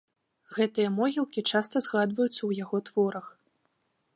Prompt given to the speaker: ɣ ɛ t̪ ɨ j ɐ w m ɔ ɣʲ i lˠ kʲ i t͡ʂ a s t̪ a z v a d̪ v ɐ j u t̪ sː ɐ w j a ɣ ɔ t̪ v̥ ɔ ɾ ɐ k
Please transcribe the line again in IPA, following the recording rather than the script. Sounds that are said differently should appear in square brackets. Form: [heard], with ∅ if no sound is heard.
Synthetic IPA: ɣ ɛ t̪ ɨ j ɐ [∅] m ɔ ɣʲ i lˠ kʲ i t͡ʂ a s t̪ [ɐ] z [ɣ] a d̪ v ɐ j u t̪ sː ɐ w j a ɣ ɔ t̪ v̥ ɔ ɾ ɐ [x]